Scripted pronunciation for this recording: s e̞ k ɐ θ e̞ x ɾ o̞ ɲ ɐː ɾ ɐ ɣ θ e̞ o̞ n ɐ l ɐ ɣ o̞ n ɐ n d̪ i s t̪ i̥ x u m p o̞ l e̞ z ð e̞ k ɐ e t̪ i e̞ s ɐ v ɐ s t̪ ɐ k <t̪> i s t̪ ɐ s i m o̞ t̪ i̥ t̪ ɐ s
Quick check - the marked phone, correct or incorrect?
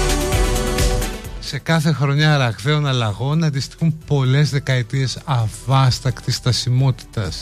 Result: correct